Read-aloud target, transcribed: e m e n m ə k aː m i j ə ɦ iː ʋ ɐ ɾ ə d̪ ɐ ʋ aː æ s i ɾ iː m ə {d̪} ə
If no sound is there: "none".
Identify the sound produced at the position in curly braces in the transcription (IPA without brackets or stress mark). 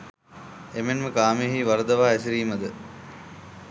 d̪